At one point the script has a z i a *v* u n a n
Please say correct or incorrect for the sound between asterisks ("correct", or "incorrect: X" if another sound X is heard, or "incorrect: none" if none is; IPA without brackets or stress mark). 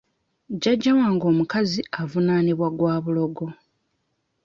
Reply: correct